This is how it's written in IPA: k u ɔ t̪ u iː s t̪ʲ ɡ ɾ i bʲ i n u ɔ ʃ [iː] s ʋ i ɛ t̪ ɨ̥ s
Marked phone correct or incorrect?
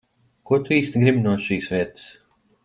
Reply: correct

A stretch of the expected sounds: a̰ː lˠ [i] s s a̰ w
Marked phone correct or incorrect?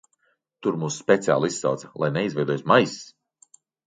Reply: correct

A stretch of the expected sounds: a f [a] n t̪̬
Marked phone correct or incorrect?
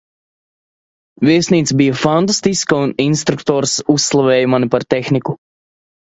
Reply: correct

